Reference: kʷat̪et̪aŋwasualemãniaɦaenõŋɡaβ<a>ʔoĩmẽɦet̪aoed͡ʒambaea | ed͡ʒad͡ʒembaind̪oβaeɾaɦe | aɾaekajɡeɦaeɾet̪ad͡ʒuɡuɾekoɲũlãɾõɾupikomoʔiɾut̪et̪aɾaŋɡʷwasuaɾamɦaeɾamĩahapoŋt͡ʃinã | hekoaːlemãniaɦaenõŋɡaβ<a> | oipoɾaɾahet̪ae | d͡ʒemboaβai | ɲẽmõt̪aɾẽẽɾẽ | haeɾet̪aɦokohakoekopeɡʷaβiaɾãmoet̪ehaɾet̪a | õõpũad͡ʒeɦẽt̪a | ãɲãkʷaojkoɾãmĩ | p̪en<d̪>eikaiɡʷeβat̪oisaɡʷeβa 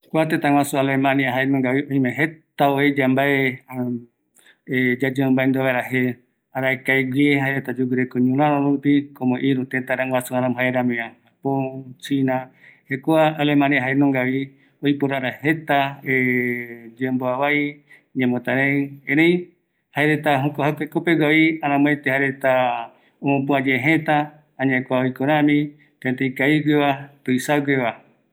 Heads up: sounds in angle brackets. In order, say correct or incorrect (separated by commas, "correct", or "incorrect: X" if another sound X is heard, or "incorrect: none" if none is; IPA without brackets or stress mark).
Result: incorrect: i, incorrect: i, incorrect: t̪